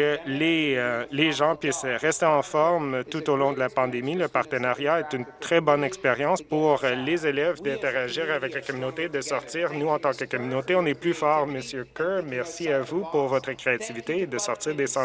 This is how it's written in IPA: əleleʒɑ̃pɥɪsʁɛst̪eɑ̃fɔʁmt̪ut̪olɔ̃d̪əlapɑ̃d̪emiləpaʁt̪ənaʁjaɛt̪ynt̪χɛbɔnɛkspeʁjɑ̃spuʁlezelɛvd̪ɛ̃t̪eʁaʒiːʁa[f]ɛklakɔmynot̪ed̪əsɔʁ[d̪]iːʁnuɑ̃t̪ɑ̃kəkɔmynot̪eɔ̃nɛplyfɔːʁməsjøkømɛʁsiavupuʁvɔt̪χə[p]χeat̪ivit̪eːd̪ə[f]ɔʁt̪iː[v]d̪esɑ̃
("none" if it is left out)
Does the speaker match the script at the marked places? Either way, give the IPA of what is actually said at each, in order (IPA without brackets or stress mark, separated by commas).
v, t̪, k, s, ʁ